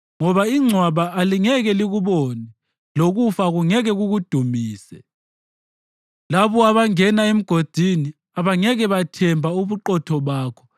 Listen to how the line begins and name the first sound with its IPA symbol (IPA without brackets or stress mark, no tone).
ŋ